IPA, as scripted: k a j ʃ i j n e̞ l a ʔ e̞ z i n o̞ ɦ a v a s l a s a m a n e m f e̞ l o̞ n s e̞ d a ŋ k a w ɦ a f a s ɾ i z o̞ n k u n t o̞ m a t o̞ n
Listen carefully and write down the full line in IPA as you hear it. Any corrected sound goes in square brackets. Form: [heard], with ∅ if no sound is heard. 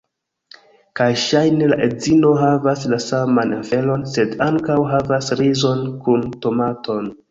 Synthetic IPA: k a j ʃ [a] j n e̞ l a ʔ e̞ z i n o̞ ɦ a v a s l a s a m a n e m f e̞ l o̞ n s e̞ d a ŋ k a w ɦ a [v] a s ɾ i z o̞ n k u n t o̞ m a t o̞ n